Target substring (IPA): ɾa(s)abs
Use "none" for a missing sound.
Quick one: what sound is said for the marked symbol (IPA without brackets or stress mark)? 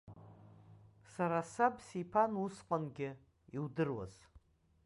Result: s